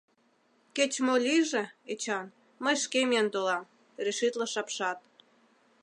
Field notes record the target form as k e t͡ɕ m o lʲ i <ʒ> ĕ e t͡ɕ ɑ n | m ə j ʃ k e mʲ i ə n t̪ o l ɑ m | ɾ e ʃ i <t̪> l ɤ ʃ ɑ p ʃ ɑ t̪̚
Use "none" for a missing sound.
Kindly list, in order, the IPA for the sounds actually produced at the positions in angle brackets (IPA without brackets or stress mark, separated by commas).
ʒ, t̪